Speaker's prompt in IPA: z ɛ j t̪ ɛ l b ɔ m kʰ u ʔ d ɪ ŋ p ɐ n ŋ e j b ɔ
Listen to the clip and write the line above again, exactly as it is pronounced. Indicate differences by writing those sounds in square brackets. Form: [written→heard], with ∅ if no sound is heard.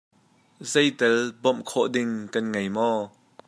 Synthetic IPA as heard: z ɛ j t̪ ɛ l b ɔ m kʰ [u→ɔ] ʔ d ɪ ŋ [p→k] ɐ n ŋ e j [b→m] ɔ